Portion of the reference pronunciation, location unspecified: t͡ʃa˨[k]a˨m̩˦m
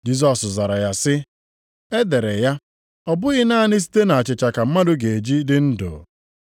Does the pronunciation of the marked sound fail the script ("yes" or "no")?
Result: no